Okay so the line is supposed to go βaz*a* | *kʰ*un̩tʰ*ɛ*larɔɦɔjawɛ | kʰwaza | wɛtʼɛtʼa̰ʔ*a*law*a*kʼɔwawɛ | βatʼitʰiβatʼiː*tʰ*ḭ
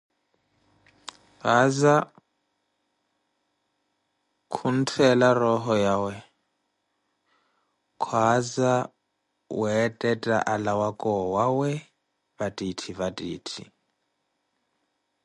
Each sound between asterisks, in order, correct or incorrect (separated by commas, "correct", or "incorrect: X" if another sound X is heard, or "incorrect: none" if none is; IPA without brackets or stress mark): correct, correct, correct, correct, correct, correct